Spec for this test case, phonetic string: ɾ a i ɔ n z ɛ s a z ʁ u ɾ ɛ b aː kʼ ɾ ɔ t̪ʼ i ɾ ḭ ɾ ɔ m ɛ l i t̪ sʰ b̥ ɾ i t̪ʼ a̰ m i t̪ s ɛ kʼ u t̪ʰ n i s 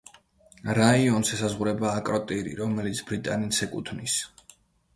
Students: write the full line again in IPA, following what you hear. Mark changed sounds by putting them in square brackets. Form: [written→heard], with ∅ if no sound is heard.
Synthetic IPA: ɾ a i ɔ n [z→s] ɛ s a z ʁ u ɾ ɛ b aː kʼ ɾ ɔ t̪ʼ i ɾ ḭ ɾ ɔ m ɛ l i t̪ sʰ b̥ ɾ i t̪ʼ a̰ [m→n] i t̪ s ɛ kʼ u t̪ʰ n i s